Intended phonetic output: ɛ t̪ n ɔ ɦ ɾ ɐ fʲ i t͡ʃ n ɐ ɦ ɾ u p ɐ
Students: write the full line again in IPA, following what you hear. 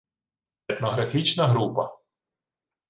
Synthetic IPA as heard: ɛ t̪ n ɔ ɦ ɾ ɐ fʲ i t͡ʃ n ɐ ɦ ɾ u p ɐ

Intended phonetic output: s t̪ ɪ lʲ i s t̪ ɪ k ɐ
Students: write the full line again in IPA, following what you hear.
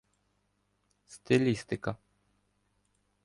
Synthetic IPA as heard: s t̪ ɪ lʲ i s t̪ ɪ k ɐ

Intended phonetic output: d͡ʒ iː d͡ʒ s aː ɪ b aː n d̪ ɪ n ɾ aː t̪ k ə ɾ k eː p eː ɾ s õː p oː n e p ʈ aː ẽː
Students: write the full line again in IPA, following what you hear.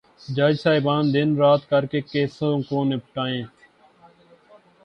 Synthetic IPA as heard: d͡ʒ aː d͡ʒ s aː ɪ b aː n d̪ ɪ n ɾ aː t̪ k ə ɾ k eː k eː s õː k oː n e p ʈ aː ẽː

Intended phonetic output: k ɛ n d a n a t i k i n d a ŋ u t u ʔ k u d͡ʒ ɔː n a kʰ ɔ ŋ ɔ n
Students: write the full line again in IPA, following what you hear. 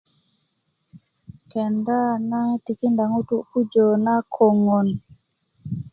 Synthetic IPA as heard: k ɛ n d a n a t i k i n d a ŋ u t u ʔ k u d͡ʒ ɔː n a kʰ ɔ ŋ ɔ n

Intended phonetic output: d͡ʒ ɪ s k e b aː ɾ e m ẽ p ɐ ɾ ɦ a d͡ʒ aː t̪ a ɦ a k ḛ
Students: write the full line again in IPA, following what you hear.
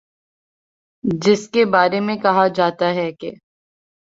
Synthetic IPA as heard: d͡ʒ ɪ s k e b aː ɾ e m ẽ k ɐ ɦ a d͡ʒ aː t̪ a ɦ ɛ k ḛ

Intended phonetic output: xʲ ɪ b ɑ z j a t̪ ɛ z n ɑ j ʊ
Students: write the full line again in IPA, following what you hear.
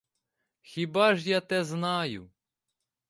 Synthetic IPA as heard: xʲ i b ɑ ʒ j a t̪ ɛ z n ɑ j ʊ

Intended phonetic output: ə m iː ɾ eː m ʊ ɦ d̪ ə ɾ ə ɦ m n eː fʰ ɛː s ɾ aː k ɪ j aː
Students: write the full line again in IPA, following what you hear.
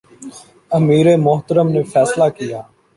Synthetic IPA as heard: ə m iː ɾ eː m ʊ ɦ t̪ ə ɾ ə m n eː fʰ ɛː s l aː k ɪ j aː

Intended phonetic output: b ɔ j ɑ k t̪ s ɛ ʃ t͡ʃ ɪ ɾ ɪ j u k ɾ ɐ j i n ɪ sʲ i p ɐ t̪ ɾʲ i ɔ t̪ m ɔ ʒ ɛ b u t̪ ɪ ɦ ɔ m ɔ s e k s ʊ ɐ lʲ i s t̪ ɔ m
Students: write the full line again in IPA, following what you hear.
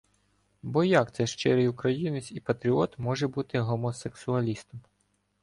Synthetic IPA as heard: b ɔ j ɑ k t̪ s ɛ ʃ t͡ʃ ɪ ɾ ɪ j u k ɾ ɐ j i n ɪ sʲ i p ɐ t̪ ɾʲ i ɔ t̪ m ɔ ʒ ɛ b u t̪ ɪ ɦ ɔ m ɔ s e k s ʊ ɐ lʲ i s t̪ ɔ m

